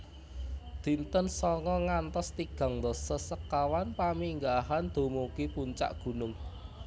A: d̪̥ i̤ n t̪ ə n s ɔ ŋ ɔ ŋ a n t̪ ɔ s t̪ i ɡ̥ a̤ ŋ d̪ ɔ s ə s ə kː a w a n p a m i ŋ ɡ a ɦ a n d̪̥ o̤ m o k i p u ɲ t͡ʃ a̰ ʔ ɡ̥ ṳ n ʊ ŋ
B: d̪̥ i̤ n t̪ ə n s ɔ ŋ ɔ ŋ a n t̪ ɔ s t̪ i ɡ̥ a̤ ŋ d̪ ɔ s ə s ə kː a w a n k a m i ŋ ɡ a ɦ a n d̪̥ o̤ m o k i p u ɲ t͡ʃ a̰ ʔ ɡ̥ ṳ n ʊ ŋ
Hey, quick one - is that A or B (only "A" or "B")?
A